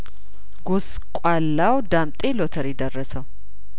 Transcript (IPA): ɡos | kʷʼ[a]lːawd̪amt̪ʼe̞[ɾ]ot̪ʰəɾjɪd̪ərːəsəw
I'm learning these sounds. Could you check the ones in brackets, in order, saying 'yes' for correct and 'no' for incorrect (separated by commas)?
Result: yes, no